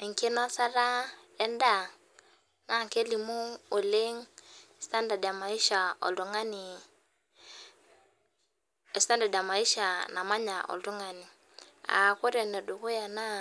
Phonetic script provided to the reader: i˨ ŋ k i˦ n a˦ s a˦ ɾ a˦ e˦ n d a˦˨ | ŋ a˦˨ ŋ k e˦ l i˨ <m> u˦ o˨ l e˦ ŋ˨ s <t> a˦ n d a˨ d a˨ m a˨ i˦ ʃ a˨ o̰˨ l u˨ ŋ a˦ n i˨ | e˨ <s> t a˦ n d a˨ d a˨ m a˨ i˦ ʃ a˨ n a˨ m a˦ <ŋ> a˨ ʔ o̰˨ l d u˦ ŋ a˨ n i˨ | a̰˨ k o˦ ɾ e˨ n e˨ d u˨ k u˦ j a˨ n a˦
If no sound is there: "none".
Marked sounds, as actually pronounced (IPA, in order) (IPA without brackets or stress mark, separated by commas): m, t, s, ɲ